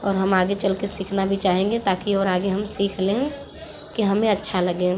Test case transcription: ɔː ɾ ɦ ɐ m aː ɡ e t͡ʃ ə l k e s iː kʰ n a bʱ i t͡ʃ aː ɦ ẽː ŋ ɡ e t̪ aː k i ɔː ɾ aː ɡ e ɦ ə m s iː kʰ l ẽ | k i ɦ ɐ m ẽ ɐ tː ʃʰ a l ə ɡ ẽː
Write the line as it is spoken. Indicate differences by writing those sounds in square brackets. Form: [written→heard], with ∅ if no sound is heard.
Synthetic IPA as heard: ɔː ɾ ɦ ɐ m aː ɡ e t͡ʃ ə l k e s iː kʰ n a bʱ i t͡ʃ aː ɦ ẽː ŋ ɡ e t̪ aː k i ɔː ɾ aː ɡ e ɦ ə m s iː kʰ l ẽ | k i ɦ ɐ m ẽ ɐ tː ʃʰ a l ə ɡ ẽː